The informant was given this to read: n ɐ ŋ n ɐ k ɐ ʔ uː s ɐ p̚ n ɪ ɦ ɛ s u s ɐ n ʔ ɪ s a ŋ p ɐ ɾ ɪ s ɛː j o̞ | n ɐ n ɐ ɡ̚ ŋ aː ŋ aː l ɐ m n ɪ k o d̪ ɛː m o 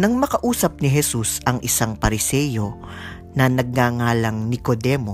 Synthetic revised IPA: n ɐ ŋ m ɐ k ɐ ʔ uː s ɐ p̚ n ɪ ɦ ɛ s u s ɐ ŋ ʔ ɪ s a ŋ p ɐ ɾ ɪ s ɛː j o̞ | n ɐ n ɐ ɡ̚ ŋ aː ŋ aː l ɐ ŋ n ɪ k o d̪ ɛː m o